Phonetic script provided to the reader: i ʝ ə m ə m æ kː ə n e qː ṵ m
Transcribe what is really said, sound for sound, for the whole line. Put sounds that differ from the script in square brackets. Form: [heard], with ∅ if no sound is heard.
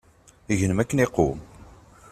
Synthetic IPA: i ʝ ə [n] ə m æ kː ə n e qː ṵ m